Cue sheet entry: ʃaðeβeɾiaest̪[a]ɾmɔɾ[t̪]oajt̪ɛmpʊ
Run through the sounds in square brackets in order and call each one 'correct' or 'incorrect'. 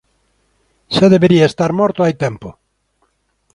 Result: correct, correct

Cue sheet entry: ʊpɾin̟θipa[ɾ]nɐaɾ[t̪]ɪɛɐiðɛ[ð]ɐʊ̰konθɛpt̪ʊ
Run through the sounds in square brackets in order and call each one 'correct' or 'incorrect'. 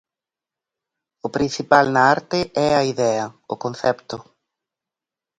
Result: incorrect, correct, incorrect

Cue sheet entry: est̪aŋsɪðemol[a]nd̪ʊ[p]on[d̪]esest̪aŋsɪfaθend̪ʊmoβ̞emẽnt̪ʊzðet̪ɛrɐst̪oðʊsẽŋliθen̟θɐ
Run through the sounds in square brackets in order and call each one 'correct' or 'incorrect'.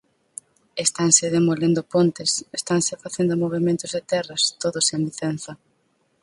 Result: incorrect, correct, incorrect

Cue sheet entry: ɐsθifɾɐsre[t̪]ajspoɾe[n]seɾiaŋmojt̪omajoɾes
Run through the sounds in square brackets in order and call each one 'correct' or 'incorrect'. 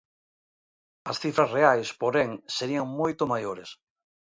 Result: incorrect, incorrect

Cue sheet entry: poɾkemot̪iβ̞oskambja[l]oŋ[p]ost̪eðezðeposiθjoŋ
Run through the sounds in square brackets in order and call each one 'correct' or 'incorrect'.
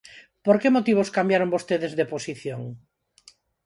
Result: incorrect, incorrect

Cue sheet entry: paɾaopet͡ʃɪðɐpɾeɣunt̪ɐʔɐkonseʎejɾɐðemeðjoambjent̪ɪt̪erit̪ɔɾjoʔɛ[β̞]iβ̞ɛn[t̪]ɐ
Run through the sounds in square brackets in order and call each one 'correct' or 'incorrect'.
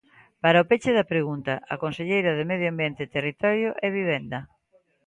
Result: correct, incorrect

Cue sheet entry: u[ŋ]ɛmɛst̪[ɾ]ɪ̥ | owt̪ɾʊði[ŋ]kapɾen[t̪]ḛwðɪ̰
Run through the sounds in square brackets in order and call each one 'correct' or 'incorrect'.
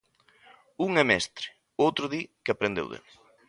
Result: correct, correct, incorrect, incorrect

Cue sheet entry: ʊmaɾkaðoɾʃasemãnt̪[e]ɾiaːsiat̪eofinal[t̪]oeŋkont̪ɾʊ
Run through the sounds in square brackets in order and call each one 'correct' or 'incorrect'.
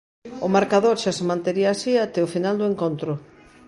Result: correct, incorrect

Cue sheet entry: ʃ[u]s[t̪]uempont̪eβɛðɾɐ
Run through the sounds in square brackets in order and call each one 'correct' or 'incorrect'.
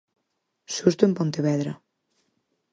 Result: correct, correct

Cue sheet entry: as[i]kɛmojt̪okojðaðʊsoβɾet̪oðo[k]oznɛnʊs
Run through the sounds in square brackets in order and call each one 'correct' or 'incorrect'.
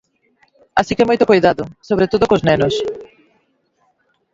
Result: correct, correct

